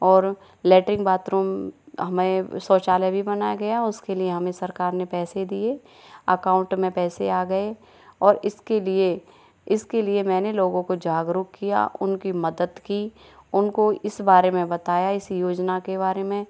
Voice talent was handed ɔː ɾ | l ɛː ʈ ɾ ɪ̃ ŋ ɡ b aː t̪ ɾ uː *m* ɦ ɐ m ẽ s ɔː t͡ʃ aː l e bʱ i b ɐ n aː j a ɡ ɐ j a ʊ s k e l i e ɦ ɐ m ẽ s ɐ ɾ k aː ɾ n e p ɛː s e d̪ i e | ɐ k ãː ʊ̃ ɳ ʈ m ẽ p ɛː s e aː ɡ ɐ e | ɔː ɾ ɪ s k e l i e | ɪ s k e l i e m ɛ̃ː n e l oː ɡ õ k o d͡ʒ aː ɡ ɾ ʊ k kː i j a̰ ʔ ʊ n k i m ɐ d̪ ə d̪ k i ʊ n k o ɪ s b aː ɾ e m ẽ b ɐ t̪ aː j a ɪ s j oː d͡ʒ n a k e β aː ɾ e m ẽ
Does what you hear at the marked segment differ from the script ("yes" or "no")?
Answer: no